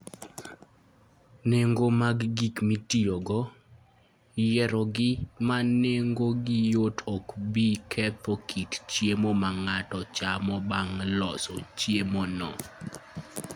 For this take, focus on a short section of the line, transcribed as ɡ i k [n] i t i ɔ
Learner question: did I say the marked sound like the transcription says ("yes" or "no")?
no